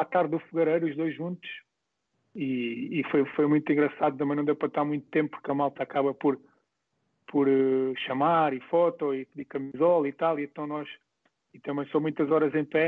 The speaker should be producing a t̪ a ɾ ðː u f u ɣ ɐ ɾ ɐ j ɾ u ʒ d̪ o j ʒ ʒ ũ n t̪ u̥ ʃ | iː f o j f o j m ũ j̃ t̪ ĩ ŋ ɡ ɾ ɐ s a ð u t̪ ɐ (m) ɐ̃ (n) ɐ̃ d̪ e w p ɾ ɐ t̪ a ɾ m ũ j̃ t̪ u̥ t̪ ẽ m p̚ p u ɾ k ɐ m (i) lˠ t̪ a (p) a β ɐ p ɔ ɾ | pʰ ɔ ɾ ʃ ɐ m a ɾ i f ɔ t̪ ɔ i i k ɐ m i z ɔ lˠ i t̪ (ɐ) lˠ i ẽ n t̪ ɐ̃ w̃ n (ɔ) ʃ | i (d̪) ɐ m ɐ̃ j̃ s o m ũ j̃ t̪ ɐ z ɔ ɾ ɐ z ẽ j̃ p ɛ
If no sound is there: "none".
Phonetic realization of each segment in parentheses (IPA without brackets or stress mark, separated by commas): m, n, a, k, a, ɔ, t̪